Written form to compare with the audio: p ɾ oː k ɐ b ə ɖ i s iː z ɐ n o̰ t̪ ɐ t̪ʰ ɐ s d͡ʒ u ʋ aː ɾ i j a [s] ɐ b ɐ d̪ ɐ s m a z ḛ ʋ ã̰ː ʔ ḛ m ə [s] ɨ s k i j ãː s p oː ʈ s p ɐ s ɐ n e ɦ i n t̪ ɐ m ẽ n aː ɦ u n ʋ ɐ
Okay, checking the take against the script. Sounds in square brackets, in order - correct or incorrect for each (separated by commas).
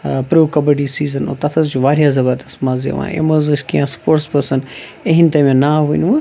incorrect, incorrect